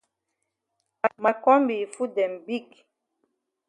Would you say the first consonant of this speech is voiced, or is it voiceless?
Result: voiced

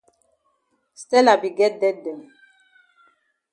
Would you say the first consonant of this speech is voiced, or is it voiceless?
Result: voiceless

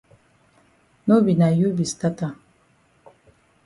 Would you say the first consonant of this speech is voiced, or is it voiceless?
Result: voiced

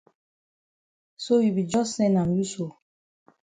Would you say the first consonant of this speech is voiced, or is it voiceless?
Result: voiceless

